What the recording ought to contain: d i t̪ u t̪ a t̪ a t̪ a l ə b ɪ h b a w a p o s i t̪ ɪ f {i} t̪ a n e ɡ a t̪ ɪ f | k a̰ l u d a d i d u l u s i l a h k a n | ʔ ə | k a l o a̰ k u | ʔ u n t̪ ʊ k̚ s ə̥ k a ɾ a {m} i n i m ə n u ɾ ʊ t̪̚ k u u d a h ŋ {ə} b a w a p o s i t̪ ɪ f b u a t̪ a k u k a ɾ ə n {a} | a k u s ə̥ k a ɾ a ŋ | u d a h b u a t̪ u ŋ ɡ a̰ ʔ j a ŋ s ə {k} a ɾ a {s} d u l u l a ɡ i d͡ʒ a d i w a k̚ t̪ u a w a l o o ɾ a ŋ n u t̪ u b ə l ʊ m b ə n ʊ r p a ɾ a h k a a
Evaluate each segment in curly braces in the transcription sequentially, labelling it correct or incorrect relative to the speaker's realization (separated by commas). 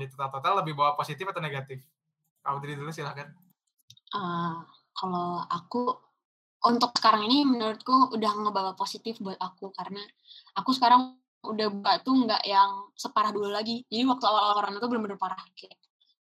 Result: incorrect, incorrect, correct, correct, incorrect, incorrect